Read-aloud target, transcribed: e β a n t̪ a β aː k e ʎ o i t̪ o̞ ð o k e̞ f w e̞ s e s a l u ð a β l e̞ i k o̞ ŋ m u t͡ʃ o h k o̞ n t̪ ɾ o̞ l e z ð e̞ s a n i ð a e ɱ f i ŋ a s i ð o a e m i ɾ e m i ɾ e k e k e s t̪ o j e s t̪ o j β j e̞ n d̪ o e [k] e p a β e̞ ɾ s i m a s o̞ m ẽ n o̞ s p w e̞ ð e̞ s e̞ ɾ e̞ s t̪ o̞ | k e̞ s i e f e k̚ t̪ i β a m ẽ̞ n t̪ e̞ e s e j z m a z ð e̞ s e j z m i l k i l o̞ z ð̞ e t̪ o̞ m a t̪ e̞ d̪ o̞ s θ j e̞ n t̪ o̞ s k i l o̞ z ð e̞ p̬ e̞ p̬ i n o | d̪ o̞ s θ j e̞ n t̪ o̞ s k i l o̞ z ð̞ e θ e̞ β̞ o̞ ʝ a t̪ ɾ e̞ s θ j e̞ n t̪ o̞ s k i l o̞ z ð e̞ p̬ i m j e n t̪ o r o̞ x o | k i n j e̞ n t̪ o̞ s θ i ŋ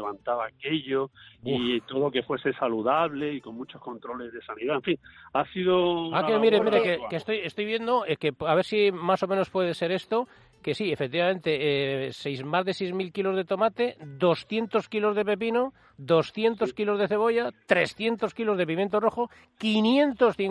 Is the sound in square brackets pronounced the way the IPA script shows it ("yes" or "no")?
yes